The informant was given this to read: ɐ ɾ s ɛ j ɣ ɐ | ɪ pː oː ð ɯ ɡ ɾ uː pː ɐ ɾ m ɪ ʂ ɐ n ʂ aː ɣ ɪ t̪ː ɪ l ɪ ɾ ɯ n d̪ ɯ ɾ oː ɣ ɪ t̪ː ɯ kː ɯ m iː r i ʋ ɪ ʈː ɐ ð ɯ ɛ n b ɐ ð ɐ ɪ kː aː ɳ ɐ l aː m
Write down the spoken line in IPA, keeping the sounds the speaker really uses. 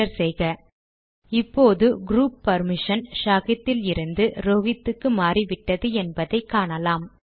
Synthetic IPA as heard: ɐ ɾ s ɛ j ɣ ɐ | ɪ pː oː ð ɯ ɡ ɾ uː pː ɐ ɾ m ɪ ʂ ɐ n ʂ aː ɣ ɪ t̪ː ɪ l ɪ ɾ ɯ n d̪ ɯ ɾ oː ɣ ɪ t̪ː ɯ kː ɯ m aː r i ʋ ɪ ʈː ɐ ð ɯ ɛ n b ɐ ð ɐ ɪ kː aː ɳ ɐ l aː m